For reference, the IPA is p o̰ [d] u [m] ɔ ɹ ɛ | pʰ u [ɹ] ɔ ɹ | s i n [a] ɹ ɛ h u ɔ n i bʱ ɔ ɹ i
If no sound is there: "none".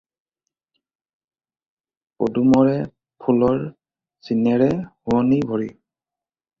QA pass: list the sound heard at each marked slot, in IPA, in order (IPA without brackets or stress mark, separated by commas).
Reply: d, m, l, ɛ